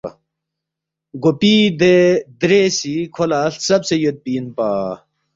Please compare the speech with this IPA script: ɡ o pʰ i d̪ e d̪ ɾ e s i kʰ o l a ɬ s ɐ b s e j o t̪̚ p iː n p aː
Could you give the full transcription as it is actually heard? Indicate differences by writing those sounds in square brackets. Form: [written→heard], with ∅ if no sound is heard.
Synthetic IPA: ɡ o [pʰ→p] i d̪ e d̪ ɾ e s i kʰ o l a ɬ s ɐ b s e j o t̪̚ p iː n p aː